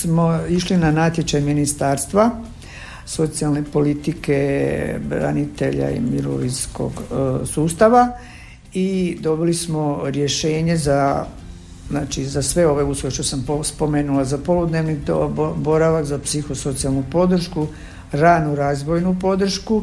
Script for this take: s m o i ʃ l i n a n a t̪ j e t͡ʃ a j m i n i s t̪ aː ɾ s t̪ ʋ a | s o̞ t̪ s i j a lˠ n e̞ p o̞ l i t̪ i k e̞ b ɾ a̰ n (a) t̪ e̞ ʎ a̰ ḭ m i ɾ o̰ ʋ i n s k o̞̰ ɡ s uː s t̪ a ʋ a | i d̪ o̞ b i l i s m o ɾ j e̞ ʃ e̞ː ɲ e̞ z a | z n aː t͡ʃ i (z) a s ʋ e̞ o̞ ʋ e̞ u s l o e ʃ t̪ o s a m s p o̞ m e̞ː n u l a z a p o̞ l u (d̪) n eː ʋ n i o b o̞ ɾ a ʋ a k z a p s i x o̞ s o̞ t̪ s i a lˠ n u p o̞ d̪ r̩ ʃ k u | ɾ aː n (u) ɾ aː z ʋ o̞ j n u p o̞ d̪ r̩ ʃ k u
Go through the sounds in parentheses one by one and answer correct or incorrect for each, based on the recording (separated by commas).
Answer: incorrect, correct, correct, correct